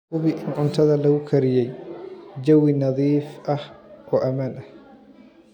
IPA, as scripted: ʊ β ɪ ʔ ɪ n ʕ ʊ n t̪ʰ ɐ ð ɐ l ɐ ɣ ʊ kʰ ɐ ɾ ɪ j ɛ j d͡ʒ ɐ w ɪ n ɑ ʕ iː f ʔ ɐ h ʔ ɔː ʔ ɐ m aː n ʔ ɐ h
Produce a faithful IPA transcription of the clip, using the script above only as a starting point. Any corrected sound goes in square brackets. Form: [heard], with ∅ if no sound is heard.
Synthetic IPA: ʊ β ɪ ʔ ɪ n ʕ ʊ n t̪ʰ ɐ ð ɐ l ɐ ɣ ʊ kʰ ɐ ɾ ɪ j ɛ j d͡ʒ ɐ w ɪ n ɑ [ð] iː f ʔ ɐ h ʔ ɔː ʔ ɐ m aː n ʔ ɐ h

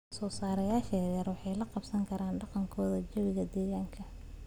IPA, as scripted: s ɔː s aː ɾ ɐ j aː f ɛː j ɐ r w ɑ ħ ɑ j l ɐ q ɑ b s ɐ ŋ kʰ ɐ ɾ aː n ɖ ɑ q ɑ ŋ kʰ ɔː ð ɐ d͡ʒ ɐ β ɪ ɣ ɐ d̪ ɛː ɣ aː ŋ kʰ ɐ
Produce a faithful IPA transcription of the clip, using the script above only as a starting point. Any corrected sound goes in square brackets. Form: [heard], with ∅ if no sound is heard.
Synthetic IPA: s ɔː s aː ɾ ɐ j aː [ʃ] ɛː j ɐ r w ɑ ħ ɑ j l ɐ q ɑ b s ɐ ŋ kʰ ɐ ɾ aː n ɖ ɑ q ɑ ŋ kʰ ɔː ð ɐ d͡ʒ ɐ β ɪ ɣ ɐ d̪ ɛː ɣ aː ŋ kʰ ɐ

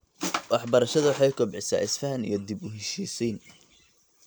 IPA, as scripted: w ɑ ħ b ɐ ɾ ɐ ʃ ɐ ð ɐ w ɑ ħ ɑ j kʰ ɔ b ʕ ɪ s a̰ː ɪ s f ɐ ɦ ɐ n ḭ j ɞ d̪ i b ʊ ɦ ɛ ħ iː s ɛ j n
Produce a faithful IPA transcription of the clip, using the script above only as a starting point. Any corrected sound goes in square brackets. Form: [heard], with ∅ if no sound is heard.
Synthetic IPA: w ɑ ħ b ɐ ɾ ɐ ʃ ɐ ð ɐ w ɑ ħ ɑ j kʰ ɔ b ʕ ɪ s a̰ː ɪ s f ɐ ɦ ɐ n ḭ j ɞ d̪ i b ʊ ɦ ɛ [ʃ] iː s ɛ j n

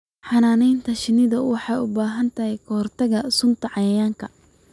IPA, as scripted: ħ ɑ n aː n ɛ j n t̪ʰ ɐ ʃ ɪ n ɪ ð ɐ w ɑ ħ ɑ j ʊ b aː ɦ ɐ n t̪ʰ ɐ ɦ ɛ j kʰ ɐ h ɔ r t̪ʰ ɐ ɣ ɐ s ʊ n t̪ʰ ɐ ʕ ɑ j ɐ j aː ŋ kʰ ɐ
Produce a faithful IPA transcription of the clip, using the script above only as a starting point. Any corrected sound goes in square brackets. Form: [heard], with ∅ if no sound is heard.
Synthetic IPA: ħ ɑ n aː n ɛ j n t̪ʰ ɐ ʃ ɪ n ɪ ð ɐ w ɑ ħ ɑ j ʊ b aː ɦ ɐ n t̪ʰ ɐ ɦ ɛ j kʰ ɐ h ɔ r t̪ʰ ɐ ɣ ɐ s ʊ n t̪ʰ ɐ ʕ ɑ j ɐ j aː ŋ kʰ ɐ

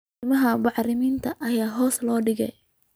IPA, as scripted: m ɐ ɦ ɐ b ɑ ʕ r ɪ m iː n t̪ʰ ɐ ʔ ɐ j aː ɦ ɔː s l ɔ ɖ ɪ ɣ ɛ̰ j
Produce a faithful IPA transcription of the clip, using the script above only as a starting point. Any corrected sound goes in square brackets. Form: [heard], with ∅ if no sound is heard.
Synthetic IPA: m ɐ ɦ ɐ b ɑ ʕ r ɪ m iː n t̪ʰ ɐ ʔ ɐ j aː ɦ ɔː s l [ɔː] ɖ ɪ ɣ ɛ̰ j

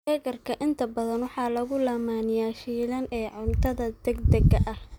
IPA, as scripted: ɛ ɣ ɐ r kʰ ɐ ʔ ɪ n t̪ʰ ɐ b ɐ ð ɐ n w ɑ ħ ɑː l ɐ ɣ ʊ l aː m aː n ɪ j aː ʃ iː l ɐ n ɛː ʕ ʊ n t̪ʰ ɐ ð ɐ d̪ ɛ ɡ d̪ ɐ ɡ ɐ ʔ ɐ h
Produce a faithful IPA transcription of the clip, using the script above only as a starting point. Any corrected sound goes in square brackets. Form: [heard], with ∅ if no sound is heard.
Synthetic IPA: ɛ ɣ ɐ r kʰ ɐ ʔ ɪ n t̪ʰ ɐ b ɐ ð ɐ n w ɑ ħ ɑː l ɐ ɣ ʊ l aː m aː n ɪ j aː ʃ iː l ɐ n ɛː ʕ ʊ n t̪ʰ ɐ ð ɐ d̪ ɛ ɡ d̪ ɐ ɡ ɐ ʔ ɐ h

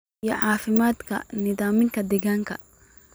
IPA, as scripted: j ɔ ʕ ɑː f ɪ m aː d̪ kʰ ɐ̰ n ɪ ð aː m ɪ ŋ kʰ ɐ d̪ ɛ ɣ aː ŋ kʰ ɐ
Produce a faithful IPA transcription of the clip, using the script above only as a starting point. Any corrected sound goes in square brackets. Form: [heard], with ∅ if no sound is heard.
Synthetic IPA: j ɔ ʕ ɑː f ɪ m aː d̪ kʰ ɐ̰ n ɪ ð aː m ɪ ŋ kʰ ɐ d̪ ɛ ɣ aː ŋ kʰ ɐ

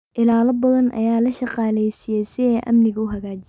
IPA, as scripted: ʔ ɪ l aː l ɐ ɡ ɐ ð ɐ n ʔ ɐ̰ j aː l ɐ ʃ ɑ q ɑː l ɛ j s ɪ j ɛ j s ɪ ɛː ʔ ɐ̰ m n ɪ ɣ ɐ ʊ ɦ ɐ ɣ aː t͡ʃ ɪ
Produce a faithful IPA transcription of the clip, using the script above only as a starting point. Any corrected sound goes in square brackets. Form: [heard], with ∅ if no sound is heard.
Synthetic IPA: ʔ ɪ l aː l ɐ [b] ɐ ð ɐ n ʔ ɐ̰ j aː l ɐ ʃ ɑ q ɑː l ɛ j s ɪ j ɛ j s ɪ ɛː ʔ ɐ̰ m n ɪ ɣ ɐ ʊ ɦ ɐ ɣ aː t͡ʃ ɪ

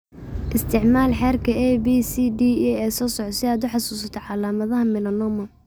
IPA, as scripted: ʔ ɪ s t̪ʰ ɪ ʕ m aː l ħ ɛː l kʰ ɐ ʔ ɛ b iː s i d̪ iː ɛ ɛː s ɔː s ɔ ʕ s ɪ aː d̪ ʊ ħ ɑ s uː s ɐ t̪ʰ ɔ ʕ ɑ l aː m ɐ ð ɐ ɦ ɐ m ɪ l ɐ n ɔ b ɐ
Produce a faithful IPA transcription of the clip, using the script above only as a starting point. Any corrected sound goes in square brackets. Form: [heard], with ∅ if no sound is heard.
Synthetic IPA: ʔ ɪ s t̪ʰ ɪ ʕ m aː l ħ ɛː [r] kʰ ɐ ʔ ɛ b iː s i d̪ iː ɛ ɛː s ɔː s ɔ ʕ s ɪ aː d̪ ʊ ħ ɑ s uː s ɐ t̪ʰ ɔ ʕ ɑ l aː m ɐ ð ɐ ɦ ɐ m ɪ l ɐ n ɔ [m] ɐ

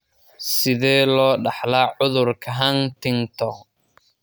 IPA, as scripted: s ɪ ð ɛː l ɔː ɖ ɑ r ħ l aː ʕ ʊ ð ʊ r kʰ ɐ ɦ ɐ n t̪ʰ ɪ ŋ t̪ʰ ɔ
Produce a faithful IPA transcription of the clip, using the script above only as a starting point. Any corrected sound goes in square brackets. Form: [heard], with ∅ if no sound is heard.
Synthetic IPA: s ɪ ð ɛː l ɔː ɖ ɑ [∅] ħ l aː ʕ ʊ ð ʊ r kʰ ɐ ɦ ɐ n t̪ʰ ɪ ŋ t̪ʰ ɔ

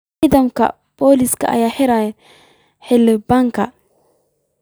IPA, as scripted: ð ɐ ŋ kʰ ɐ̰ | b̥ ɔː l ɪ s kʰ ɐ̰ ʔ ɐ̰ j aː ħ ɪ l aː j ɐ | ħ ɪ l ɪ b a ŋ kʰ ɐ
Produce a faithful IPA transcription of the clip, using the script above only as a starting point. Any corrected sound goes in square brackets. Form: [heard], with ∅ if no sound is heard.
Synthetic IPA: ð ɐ [m] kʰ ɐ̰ | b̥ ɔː l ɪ s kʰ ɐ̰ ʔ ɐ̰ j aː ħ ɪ [ɾ] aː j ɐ | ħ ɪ l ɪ b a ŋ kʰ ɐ

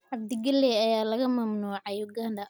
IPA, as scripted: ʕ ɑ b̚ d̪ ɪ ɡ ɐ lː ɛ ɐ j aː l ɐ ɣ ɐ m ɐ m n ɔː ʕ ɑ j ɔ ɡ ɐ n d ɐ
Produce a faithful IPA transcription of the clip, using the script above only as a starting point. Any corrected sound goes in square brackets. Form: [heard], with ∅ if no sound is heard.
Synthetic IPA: ʕ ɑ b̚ d̪ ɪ ɡ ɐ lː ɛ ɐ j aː l ɐ ɣ ɐ m ɐ m n [uː] ʕ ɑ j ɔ ɡ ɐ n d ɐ

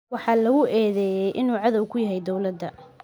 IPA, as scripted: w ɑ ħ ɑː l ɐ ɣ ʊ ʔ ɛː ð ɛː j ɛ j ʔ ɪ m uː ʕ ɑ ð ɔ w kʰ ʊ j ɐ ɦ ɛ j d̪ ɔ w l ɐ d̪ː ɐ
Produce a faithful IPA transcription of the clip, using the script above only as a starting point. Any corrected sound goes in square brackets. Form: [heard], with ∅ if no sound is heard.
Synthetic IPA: w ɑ ħ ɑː l ɐ ɣ ʊ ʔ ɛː ð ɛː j ɛ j ʔ ɪ [n] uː ʕ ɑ ð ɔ w kʰ ʊ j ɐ ɦ ɛ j d̪ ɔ w l ɐ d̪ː ɐ

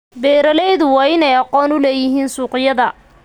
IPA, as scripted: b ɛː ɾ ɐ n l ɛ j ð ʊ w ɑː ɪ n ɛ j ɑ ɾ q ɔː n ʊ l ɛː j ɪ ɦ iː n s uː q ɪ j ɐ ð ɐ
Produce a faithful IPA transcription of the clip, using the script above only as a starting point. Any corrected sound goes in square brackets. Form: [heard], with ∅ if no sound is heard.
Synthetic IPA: b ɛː ɾ ɐ [∅] l ɛ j ð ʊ w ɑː ɪ n ɛ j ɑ [∅] q ɔː n ʊ l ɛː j ɪ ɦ iː n s uː q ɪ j ɐ ð ɐ

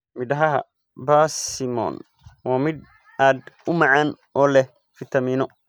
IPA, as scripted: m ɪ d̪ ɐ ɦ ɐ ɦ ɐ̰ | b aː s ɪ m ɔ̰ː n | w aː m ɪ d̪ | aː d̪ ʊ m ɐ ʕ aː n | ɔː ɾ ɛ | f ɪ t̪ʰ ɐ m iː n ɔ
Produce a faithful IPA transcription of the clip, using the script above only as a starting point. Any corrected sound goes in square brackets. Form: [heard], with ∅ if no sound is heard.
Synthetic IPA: m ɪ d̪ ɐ ɦ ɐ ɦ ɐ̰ | b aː s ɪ m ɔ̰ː n | w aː m ɪ d̪ | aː d̪ ʊ m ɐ ʕ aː n | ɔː [l] ɛ | f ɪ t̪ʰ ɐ m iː n ɔ

